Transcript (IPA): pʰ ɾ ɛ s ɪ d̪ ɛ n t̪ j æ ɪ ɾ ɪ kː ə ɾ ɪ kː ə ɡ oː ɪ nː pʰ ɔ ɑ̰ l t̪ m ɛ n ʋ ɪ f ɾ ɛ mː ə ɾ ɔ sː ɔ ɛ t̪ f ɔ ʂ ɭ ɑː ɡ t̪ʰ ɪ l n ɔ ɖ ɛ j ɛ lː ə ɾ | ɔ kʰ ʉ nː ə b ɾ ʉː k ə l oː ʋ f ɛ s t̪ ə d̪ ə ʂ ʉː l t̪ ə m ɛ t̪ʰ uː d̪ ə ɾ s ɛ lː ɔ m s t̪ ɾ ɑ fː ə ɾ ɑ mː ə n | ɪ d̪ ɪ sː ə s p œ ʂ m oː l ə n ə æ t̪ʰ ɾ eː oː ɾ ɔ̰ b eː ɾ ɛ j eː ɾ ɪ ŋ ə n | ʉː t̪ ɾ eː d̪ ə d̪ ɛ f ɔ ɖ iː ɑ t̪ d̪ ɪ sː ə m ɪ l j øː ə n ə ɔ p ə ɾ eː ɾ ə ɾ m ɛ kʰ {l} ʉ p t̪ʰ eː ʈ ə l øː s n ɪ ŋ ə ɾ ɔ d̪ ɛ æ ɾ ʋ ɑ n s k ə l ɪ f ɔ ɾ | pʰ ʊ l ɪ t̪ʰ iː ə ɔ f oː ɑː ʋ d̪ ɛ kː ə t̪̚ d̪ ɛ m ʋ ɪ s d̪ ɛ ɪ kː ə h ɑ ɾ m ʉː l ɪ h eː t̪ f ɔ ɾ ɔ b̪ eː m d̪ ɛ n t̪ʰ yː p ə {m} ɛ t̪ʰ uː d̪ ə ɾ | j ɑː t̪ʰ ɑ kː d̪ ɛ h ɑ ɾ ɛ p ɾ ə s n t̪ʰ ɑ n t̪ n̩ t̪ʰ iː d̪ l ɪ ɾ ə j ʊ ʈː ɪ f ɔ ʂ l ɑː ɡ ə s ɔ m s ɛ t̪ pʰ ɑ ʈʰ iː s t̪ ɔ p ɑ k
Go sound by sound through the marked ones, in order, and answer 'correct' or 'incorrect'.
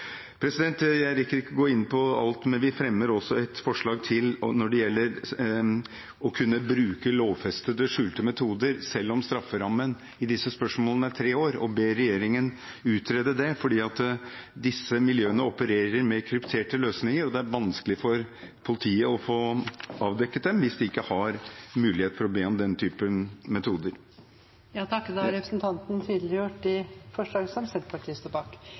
incorrect, correct

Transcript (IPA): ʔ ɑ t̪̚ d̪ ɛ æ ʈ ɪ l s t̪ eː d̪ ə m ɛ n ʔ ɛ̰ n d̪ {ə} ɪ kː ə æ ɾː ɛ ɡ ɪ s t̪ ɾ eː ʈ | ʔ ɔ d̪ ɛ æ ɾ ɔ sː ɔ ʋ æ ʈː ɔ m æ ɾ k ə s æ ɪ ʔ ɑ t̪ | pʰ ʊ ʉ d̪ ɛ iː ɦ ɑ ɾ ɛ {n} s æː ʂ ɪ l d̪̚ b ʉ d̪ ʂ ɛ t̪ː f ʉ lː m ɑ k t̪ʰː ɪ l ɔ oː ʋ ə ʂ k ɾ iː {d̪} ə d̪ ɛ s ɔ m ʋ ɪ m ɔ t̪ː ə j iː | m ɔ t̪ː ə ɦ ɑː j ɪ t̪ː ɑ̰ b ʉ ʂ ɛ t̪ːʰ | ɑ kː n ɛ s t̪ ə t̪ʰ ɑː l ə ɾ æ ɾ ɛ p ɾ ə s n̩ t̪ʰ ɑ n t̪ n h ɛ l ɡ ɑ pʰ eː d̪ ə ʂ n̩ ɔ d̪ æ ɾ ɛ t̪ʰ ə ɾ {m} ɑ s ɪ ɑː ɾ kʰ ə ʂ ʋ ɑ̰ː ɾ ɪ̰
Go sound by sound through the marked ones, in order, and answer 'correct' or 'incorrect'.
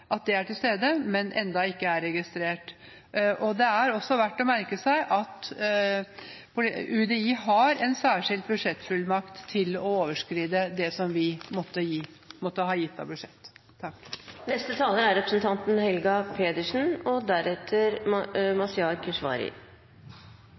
incorrect, correct, correct, correct

